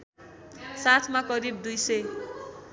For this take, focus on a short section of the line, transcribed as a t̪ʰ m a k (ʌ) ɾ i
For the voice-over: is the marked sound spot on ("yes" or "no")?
yes